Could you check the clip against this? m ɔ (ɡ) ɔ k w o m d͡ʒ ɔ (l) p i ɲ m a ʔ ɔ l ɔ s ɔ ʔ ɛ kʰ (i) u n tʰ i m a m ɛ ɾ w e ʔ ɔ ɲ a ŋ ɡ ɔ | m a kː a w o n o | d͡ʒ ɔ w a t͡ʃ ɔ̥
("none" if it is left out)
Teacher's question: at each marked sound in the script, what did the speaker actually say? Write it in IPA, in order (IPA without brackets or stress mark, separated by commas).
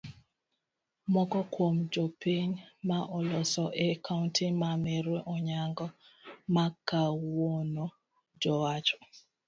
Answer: k, none, a